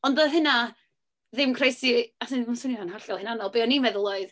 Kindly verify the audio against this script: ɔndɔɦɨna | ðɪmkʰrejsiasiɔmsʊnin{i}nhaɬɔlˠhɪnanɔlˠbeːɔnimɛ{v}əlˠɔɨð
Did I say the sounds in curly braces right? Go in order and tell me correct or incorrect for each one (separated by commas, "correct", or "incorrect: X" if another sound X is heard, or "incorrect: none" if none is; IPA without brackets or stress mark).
incorrect: a, incorrect: ð